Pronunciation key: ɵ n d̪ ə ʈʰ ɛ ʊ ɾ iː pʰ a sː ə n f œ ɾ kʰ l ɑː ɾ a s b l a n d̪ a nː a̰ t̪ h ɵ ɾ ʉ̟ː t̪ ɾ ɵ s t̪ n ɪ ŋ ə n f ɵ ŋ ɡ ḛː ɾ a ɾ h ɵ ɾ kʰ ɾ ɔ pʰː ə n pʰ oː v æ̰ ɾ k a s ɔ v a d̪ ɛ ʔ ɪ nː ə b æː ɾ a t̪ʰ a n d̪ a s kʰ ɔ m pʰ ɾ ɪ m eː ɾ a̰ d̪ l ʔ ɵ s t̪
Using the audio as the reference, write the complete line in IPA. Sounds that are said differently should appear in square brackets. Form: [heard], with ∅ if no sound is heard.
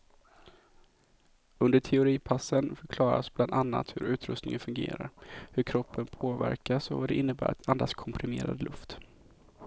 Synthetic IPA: ɵ n d̪ ə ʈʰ ɛ ʊ ɾ iː pʰ a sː ə n f œ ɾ kʰ l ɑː ɾ a s b l a n d̪ a nː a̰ t̪ h ɵ ɾ ʉ̟ː t̪ ɾ ɵ s t̪ n ɪ ŋ ə n f ɵ ŋ ɡ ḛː ɾ a ɾ h ɵ ɾ kʰ ɾ ɔ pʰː ə n pʰ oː v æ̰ ɾ k a s ɔ v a d̪ ɛ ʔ ɪ nː ə b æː ɾ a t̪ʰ a n d̪ a s kʰ ɔ m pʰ ɾ ɪ m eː ɾ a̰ d̪ l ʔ ɵ [f] t̪

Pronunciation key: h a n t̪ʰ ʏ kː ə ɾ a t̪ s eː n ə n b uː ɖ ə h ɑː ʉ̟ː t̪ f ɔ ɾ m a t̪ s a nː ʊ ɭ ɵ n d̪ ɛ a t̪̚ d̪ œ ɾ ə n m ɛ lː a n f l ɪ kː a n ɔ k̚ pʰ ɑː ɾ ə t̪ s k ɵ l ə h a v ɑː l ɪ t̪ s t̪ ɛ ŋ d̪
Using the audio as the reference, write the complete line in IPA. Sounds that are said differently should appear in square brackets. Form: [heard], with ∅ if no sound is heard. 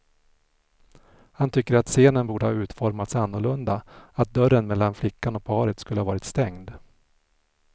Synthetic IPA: h a n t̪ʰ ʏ kː ə ɾ a t̪ s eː n ə n b uː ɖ ə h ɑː ʉ̟ː t̪ f ɔ ɾ m a t̪ s a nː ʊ ɭ ɵ n d̪ [a] a t̪̚ d̪ œ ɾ ə n m ɛ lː a n f l ɪ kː a n ɔ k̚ pʰ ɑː ɾ ə t̪ s k ɵ l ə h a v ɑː [ɾ] ɪ t̪ s t̪ ɛ ŋ d̪

